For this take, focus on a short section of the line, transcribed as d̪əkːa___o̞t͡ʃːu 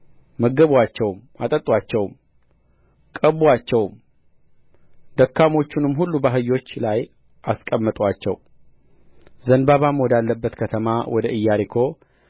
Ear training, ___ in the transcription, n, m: m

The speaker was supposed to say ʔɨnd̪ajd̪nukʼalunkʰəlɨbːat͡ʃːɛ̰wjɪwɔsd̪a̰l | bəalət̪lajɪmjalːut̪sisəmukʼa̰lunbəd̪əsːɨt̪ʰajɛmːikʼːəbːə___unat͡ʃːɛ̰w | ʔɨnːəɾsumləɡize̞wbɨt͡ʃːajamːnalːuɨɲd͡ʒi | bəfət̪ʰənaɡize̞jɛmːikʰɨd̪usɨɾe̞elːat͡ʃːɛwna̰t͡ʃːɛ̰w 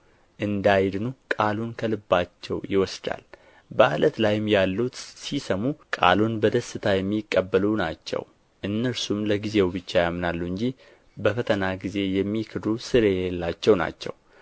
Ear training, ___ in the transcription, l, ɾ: l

